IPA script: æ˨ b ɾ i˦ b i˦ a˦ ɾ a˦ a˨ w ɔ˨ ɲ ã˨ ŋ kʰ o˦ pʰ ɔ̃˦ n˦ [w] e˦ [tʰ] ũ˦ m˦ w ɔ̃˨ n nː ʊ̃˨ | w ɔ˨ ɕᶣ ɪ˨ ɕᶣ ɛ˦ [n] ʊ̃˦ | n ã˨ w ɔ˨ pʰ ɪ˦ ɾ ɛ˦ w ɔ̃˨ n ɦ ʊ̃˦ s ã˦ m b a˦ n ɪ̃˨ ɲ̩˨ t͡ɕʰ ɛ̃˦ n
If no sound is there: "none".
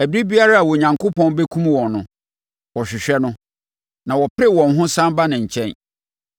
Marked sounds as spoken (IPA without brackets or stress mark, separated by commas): b, kʰ, n